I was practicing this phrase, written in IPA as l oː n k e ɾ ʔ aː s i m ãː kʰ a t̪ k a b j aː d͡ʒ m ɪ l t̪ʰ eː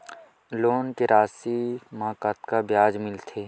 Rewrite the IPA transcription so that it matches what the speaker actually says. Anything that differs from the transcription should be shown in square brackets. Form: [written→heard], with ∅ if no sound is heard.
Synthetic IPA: l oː n k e ɾ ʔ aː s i m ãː [kʰ→k] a t̪ k a b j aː d͡ʒ m ɪ l t̪ʰ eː

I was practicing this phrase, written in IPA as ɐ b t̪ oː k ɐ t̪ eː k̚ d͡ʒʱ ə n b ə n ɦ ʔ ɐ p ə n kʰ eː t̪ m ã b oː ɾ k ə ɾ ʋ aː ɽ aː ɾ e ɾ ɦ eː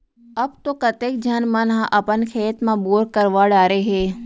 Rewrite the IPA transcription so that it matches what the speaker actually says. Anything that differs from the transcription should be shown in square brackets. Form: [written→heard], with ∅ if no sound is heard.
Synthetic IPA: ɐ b t̪ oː k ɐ t̪ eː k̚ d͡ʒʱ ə n [b→m] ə n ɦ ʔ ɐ p ə n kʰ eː t̪ m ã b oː ɾ k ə ɾ ʋ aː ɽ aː ɾ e [ɾ→∅] ɦ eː

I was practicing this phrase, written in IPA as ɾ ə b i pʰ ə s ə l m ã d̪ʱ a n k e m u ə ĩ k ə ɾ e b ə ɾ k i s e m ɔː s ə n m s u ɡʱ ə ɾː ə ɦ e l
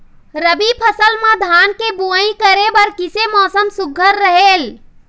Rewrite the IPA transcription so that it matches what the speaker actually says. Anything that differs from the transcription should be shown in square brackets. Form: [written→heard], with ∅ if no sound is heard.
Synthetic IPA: ɾ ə b i pʰ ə s ə l m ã d̪ʱ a n k e [m→b] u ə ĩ k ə ɾ e b ə ɾ k i s e m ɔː s ə [n→∅] m s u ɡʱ ə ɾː ə ɦ e l

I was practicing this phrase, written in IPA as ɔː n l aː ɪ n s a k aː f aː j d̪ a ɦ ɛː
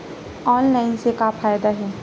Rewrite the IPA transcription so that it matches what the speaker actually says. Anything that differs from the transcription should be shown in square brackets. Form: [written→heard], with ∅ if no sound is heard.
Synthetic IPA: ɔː n l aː ɪ n s [a→e] k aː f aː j d̪ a ɦ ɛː

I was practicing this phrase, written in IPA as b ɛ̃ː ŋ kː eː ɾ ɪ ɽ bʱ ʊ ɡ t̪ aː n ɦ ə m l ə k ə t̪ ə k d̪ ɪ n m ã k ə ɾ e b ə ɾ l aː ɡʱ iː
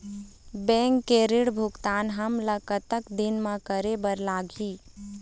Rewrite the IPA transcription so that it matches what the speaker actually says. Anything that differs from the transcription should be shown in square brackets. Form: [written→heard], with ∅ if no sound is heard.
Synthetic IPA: b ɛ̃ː ŋ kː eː ɾ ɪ ɽ bʱ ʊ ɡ t̪ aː n ɦ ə m l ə k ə t̪ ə k d̪ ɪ n m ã k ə ɾ e b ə ɾ l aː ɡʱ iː

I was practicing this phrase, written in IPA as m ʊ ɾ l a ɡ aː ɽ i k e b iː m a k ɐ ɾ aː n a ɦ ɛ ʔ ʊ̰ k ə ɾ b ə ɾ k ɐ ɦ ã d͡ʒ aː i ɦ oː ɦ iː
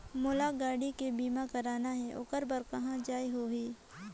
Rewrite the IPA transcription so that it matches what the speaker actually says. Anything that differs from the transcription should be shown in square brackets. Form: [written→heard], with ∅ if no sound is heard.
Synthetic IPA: m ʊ [ɾ→∅] l a ɡ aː ɽ i k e b iː m a k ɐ ɾ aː n a ɦ ɛ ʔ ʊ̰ k ə ɾ b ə ɾ k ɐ ɦ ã d͡ʒ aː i ɦ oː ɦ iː

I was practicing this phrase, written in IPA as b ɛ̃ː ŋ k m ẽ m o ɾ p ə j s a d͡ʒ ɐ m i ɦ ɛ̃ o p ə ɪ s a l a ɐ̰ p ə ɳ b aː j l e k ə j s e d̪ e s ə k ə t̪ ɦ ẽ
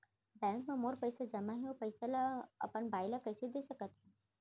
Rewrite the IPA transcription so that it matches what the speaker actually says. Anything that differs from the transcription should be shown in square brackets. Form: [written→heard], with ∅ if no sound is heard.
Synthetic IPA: b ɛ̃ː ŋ k m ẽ m o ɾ p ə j s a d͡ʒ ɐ m [i→a] ɦ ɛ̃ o p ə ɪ s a l a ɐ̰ p ə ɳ b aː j l [e→a] k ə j s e d̪ e s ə k ə t̪ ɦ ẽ

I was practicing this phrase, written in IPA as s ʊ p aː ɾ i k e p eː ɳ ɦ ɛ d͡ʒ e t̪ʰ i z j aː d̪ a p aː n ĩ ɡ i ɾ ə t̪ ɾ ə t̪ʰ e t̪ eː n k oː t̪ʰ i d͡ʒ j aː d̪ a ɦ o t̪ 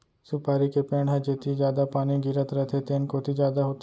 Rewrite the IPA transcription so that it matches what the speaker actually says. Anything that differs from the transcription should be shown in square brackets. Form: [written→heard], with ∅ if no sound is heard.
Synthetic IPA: s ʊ p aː ɾ i k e p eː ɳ ɦ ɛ d͡ʒ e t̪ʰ i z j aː d̪ a p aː n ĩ ɡ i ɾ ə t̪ ɾ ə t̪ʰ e t̪ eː n k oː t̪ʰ i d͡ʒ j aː d̪ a ɦ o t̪

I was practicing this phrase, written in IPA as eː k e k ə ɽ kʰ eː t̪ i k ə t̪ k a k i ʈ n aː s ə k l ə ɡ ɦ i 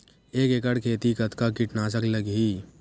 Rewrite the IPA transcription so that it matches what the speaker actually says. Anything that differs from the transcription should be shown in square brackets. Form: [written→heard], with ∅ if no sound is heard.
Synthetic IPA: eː k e k ə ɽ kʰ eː t̪ i k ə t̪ k a k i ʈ n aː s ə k l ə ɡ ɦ i

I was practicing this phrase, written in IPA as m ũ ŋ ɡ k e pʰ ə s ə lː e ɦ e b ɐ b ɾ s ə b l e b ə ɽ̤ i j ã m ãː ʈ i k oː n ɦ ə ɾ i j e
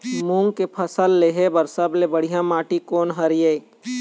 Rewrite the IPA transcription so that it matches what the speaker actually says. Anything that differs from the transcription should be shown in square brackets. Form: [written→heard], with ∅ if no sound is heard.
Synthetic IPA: m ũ ŋ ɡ k e pʰ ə s ə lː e ɦ e b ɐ [b→∅] ɾ s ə b l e b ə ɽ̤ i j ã m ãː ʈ i k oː n ɦ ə ɾ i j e

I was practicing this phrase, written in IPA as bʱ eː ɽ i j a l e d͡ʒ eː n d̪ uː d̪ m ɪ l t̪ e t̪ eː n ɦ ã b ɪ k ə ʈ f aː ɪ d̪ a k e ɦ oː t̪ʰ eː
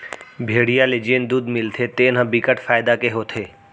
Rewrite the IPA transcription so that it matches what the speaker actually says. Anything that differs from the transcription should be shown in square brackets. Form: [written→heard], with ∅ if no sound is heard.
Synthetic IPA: bʱ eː ɽ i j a l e d͡ʒ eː n d̪ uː d̪ m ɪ l [t̪→t̪ʰ] e t̪ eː n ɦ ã b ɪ k ə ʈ f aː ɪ d̪ a k e ɦ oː t̪ʰ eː

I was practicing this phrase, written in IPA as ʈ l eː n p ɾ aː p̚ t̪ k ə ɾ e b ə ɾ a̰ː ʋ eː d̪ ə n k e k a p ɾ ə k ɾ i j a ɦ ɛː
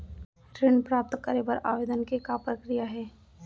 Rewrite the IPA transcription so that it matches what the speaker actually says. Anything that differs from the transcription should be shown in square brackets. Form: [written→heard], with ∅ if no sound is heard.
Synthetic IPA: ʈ [l→ɾ] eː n p ɾ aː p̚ t̪ k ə ɾ e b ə ɾ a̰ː ʋ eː d̪ ə n k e k a p ɾ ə k ɾ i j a ɦ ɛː

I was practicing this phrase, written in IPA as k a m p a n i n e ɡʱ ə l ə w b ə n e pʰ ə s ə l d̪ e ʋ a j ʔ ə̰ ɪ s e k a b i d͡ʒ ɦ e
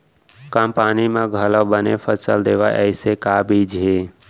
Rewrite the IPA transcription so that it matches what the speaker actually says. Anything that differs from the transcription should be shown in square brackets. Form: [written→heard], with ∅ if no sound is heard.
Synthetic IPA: k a m p a n i [n→m] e ɡʱ ə l ə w b ə n e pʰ ə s ə l d̪ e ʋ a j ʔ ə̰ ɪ s e k a b i d͡ʒ ɦ e

